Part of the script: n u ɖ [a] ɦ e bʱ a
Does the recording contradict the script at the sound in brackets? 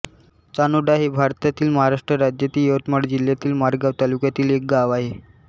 no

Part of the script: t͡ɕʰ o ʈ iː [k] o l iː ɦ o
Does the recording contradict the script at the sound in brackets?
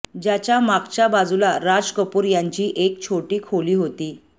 yes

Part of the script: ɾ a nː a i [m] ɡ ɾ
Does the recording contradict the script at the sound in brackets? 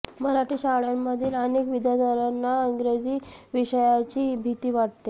yes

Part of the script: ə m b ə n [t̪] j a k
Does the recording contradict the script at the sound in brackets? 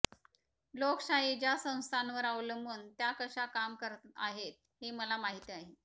no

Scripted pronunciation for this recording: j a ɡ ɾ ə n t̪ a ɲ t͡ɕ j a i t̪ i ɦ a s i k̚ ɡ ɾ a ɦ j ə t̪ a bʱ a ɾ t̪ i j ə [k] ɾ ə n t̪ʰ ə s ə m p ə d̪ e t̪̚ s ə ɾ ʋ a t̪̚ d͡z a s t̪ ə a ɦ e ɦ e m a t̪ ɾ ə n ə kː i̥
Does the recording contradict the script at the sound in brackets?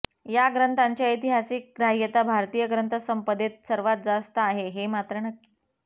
yes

